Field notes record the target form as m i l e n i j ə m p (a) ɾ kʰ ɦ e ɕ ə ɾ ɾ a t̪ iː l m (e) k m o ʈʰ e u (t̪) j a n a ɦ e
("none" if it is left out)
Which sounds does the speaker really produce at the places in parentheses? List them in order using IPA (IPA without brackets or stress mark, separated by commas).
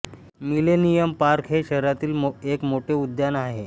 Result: a, e, d̪